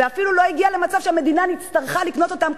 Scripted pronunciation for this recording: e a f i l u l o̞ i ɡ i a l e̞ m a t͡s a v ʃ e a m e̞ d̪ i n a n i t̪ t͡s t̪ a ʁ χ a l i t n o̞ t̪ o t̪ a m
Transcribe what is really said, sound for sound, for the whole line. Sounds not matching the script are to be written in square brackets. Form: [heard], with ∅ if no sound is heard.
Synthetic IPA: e a f i l u l o̞ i ɡ i a l e̞ m a t͡s a v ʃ e a m e̞ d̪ i n a n i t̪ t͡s t̪ a ʁ χ a l i [k] n o̞ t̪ o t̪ a m